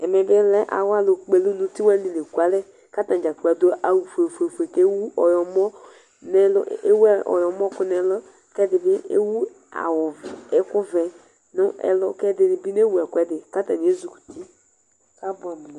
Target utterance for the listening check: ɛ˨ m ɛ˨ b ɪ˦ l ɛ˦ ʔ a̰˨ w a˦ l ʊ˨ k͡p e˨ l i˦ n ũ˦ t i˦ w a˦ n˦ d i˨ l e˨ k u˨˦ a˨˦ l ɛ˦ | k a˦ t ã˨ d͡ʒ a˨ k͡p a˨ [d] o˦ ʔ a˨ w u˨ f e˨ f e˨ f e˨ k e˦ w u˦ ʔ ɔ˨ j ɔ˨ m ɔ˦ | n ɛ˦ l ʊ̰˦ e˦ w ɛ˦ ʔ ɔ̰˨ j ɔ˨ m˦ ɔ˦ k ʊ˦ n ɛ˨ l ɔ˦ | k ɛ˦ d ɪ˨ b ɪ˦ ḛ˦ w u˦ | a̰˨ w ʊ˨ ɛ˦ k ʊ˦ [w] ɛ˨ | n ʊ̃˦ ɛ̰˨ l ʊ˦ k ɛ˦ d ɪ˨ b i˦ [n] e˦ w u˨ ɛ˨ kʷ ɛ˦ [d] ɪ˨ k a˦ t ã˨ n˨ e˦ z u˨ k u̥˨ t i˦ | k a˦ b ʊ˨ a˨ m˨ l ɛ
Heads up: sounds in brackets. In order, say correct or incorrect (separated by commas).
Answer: correct, incorrect, correct, correct